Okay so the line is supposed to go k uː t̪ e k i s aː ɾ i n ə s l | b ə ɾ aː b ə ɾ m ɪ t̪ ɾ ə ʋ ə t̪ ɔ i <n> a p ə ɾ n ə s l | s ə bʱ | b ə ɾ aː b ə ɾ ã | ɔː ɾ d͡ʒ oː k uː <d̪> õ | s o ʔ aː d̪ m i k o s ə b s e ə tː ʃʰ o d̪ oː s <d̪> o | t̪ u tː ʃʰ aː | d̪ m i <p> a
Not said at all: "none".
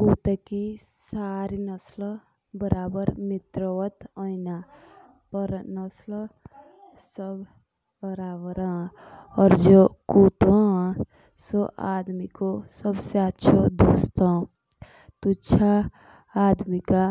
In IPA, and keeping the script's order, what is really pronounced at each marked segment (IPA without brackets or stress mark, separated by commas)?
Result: n, t̪, t̪, k